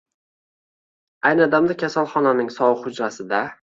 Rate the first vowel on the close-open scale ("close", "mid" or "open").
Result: open